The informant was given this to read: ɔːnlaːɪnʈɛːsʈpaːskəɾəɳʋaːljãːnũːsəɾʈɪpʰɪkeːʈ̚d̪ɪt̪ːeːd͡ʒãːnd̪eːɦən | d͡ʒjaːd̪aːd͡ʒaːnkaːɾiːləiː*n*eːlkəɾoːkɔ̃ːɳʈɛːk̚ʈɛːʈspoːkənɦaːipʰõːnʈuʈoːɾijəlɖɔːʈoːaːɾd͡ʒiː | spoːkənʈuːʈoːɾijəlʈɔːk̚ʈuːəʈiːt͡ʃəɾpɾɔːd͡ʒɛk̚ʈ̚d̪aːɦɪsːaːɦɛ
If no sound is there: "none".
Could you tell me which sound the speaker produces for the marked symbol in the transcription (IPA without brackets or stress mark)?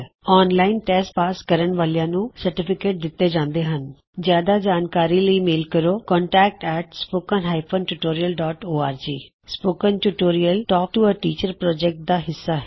m